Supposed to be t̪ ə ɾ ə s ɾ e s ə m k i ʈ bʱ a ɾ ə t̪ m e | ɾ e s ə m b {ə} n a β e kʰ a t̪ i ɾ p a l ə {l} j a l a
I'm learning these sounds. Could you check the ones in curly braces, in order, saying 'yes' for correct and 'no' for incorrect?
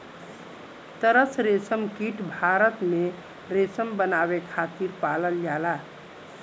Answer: yes, yes

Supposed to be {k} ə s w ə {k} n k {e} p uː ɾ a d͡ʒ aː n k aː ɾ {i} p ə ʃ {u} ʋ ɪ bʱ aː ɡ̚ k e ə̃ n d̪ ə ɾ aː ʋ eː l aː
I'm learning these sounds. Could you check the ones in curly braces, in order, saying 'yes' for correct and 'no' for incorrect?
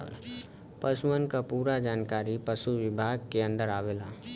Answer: no, no, no, yes, yes

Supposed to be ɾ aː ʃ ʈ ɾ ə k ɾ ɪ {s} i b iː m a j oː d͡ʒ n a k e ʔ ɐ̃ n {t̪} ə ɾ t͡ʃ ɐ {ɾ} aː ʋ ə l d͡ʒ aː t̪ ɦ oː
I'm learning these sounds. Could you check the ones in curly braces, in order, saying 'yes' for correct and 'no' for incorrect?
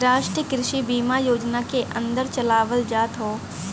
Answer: no, no, no

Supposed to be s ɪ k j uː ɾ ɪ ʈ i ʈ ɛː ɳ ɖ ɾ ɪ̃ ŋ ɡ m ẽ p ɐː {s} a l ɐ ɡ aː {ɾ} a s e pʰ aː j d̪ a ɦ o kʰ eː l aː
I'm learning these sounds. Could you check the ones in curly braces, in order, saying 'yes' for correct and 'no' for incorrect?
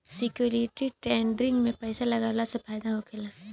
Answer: yes, no

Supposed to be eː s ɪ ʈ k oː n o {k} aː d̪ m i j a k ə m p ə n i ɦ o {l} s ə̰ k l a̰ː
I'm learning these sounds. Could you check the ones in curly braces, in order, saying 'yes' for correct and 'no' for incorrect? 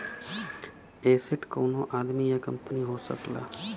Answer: no, no

